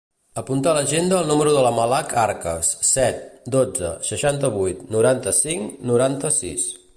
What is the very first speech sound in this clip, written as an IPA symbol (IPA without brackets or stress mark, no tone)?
ə